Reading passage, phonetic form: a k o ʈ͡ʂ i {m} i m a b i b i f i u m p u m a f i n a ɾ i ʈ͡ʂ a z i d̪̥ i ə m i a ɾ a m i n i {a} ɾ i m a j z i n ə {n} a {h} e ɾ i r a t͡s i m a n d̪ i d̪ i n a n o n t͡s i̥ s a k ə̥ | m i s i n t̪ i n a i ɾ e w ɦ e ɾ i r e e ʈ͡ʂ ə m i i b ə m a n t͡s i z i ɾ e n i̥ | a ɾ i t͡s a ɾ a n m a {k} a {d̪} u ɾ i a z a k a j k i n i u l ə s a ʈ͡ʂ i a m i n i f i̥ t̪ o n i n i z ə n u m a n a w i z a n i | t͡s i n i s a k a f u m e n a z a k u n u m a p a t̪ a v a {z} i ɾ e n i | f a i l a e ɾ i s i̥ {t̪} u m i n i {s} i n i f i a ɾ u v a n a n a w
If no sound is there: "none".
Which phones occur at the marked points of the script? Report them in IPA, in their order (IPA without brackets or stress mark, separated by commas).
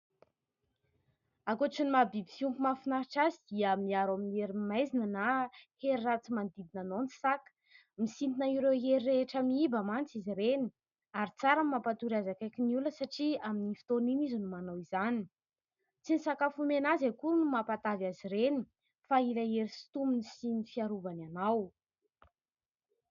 n, e, n, h, p, t̪, z, t̪, s